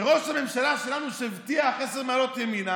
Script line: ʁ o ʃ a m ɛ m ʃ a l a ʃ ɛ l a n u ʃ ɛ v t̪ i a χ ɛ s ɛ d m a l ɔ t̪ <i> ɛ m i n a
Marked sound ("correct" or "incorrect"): incorrect